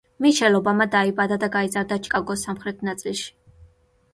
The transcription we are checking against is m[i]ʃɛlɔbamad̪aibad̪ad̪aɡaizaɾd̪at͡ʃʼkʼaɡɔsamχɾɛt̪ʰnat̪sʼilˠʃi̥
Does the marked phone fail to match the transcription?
no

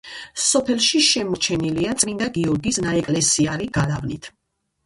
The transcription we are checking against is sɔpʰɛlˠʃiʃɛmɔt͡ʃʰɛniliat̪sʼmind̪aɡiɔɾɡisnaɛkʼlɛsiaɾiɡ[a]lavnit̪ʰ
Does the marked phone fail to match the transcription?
no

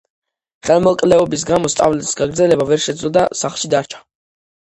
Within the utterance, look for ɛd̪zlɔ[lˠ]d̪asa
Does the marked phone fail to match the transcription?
yes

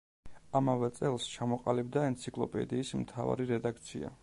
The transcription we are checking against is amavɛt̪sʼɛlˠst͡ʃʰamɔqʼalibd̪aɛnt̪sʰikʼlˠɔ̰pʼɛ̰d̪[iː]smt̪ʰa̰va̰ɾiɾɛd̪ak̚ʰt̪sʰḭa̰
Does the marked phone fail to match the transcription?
no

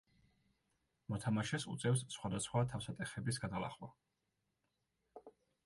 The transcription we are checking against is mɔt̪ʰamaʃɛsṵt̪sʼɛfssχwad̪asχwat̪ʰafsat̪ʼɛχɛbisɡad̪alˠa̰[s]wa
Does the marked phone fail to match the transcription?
yes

